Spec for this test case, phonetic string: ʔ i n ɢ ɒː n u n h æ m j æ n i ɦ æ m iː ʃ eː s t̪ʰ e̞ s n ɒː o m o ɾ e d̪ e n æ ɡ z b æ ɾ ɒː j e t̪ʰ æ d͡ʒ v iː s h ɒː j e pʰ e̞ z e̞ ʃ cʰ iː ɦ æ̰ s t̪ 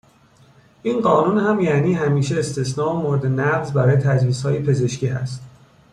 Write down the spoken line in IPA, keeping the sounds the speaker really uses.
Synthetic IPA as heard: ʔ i n ɢ ɒː n u n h æ m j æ n iː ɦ æ m iː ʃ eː s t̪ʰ e̞ s n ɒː o m o ɾ e d̪ e n æ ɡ z b æ ɾ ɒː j e t̪ʰ æ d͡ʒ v iː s h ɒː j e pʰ e̞ z e̞ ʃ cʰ iː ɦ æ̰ s t̪